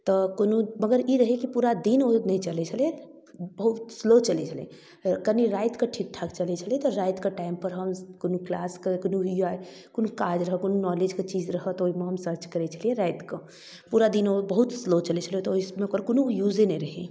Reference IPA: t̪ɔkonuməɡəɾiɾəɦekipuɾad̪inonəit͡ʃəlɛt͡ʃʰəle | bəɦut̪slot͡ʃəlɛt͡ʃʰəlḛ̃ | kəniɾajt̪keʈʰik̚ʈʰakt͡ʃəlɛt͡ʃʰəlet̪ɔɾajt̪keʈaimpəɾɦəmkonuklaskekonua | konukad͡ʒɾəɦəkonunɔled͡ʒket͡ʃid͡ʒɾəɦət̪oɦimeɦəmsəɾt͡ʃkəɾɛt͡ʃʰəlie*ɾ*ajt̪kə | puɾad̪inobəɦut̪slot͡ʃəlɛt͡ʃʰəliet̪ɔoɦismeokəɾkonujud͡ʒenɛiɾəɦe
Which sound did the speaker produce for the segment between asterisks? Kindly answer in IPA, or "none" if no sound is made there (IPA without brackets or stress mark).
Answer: ɾ